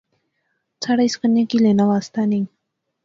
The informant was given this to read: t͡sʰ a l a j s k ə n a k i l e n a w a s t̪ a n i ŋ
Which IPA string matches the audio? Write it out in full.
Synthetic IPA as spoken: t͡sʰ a ɽ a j s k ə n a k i l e n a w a s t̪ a n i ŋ

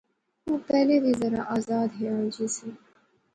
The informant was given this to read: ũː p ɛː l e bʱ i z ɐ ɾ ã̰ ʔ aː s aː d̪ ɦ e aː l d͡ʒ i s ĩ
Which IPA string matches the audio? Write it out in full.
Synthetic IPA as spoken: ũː p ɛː l e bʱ i z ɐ ɾ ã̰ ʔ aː z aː d̪ ɦ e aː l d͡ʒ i s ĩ

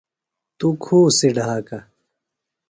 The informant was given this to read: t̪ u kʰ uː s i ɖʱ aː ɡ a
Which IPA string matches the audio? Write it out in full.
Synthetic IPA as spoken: t̪ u kʰ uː s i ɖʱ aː k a

